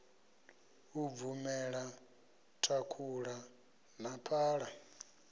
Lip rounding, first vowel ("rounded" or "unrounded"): rounded